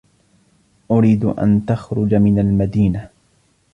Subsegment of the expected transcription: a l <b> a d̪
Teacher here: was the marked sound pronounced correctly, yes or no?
no